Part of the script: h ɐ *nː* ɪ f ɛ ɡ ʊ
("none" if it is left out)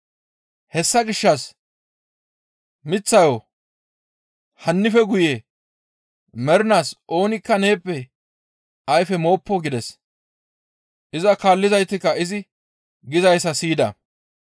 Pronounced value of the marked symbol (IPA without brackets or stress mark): nː